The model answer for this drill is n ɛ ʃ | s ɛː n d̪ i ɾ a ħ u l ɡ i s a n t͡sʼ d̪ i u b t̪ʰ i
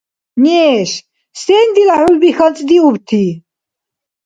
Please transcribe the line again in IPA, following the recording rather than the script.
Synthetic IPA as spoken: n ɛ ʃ | s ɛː n d̪ i l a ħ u l b i x a n t͡sʼ d̪ i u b t̪ʰ i